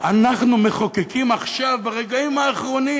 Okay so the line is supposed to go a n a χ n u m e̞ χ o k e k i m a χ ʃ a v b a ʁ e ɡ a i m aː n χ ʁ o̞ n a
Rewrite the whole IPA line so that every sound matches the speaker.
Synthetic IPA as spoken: a n a χ n u m e̞ χ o k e k i m a χ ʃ a v b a ʁ e ɡ a i m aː χ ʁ o̞ n i

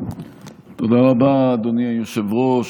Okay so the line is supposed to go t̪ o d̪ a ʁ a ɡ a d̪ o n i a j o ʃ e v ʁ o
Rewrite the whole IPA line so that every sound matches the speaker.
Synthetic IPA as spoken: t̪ o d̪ a ʁ a b a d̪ o n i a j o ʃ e v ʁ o

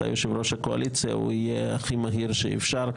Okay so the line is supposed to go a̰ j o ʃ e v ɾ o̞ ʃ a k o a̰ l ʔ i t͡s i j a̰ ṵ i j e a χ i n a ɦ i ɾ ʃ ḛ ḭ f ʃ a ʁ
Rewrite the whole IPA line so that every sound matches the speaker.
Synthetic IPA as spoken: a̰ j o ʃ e v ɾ o̞ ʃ a k o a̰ l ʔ i t͡s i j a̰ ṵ i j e a χ i m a ɦ i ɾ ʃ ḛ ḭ f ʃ a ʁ

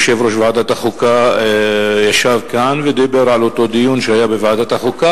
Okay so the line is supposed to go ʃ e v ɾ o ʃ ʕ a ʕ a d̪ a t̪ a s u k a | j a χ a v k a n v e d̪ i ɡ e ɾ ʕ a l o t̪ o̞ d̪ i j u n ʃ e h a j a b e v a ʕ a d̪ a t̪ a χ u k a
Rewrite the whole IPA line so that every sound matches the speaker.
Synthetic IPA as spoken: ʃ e v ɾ o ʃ v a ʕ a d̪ a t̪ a χ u k a | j a ʃ a v k a n v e d̪ i b e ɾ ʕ a l o t̪ o̞ d̪ i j u n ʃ e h a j a b e v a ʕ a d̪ a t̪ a χ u k a

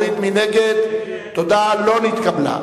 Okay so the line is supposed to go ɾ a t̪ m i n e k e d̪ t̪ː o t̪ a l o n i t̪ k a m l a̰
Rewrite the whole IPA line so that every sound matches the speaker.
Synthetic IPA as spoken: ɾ i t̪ m i n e ɡ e d̪ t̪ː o d̪ a l o n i t̪ k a b l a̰

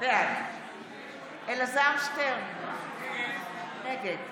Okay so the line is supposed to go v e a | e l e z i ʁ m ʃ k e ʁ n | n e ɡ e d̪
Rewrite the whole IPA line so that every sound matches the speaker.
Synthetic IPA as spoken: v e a | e l a z a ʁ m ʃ t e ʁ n | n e ɡ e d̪

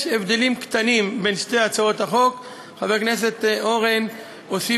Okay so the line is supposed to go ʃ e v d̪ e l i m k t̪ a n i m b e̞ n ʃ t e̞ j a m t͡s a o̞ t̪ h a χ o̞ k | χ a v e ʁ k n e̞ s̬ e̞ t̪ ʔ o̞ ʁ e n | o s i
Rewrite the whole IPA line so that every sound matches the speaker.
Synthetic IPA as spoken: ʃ e v d̪ e l i m k t̪ a n i m b e̞ n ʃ t e̞ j a t͡s a o̞ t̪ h a χ o̞ k | χ a v e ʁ k n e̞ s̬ e̞ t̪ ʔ o̞ ʁ e n | o s i

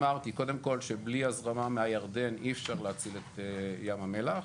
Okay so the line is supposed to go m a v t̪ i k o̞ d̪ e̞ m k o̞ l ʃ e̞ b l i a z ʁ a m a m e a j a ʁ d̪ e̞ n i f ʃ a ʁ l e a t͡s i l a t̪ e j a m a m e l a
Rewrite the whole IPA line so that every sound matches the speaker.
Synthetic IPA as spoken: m a ʁ t̪ i k o̞ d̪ e̞ m k o̞ l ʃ e̞ b l i a z ʁ a m a m e a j a ʁ d̪ e̞ n i f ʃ a ʁ l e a t͡s i l e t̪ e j a m a m e l a

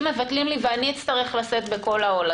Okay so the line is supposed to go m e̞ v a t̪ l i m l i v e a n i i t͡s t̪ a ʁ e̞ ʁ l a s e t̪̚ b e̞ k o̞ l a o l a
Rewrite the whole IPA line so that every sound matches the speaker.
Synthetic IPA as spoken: m e̞ v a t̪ l i m l i v e a n i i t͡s t̪ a ʁ e̞ χ l a s e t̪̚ b e̞ k o̞ l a o l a

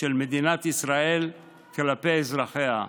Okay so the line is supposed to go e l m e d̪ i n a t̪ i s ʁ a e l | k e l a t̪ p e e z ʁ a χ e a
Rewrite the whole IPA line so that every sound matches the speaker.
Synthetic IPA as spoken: e l m e d̪ i n a t̪ i s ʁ a e l | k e l a p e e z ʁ a χ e a

